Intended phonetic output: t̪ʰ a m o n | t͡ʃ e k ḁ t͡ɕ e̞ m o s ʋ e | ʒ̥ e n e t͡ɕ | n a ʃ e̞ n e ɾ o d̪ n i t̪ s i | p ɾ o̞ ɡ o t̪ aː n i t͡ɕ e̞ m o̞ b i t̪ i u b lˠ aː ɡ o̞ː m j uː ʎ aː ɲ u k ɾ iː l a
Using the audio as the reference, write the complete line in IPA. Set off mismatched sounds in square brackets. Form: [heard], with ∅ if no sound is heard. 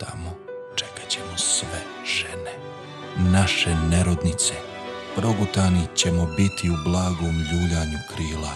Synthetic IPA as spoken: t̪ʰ a m o [∅] | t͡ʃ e k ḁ t͡ɕ e̞ m o s ʋ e | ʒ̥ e n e [∅] | n a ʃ e̞ n e ɾ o d̪ n i t̪ s [e] | p ɾ o̞ ɡ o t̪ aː n i t͡ɕ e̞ m o̞ b i t̪ i u b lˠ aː ɡ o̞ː m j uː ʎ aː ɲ u k ɾ iː l a